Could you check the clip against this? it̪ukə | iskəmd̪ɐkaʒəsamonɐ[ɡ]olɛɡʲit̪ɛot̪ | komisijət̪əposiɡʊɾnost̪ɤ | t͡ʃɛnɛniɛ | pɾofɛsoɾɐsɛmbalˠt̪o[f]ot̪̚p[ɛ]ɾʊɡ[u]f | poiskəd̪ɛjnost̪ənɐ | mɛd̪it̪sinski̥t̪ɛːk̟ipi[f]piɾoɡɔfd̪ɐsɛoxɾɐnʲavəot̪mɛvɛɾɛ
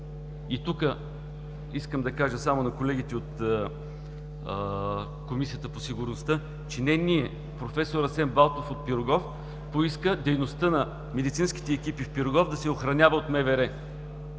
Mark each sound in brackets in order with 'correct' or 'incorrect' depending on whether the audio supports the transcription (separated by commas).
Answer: incorrect, correct, incorrect, incorrect, correct